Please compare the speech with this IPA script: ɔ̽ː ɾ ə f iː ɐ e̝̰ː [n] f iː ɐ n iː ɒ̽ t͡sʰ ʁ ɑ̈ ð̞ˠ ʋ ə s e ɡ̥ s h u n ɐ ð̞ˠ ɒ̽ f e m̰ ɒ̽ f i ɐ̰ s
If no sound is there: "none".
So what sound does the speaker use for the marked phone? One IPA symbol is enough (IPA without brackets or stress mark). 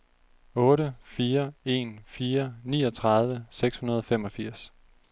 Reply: n